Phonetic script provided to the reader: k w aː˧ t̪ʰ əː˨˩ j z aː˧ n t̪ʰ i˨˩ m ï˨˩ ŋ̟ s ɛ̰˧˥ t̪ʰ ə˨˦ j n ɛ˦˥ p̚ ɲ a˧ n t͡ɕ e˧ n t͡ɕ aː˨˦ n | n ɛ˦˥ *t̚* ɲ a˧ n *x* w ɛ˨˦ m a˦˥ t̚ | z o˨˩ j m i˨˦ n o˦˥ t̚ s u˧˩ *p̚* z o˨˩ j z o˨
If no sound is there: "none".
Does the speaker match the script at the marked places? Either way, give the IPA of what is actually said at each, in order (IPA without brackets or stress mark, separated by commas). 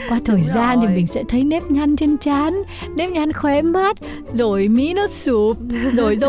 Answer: p̚, x, p̚